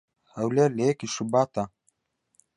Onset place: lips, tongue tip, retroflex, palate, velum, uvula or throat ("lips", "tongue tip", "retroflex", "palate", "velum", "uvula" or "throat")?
throat